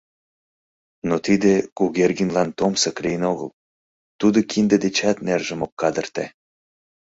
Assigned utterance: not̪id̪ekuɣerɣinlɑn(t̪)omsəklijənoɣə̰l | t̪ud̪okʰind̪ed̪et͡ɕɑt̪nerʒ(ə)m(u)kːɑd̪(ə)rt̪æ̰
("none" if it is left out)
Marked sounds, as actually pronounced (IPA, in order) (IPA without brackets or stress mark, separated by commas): t̪, ə, o, ə